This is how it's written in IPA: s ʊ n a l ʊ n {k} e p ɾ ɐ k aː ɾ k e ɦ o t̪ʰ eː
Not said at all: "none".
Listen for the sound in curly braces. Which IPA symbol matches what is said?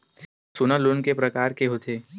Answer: k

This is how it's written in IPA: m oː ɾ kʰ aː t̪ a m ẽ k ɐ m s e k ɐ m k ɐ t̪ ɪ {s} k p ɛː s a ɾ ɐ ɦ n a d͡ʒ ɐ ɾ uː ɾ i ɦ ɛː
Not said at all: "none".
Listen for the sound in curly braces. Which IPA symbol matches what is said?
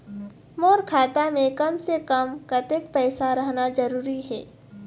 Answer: none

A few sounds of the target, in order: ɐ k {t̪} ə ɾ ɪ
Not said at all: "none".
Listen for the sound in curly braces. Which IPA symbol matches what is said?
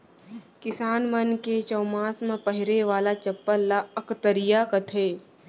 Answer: t̪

